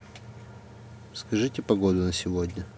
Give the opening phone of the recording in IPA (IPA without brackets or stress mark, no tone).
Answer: s